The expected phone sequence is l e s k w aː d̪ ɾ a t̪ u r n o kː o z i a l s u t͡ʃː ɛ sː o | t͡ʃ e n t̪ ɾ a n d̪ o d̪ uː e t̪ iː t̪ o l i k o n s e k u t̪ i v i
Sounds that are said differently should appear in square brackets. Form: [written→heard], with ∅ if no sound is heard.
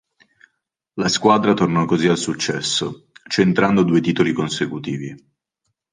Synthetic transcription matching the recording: l [e→a] s k w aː d̪ ɾ a t̪ [u→o] r n [o→ɔ] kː o z i a l s u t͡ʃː ɛ sː o | t͡ʃ e n t̪ ɾ a n d̪ o d̪ uː e t̪ iː t̪ o l i k o n s e k u t̪ [i→iː] v i